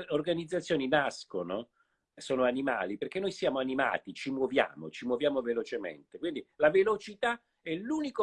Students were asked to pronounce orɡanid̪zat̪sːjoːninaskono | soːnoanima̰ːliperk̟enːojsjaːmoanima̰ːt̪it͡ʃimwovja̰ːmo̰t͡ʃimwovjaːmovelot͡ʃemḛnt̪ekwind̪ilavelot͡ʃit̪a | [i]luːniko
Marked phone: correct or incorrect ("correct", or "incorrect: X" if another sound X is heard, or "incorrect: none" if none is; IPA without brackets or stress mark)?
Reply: incorrect: ɛ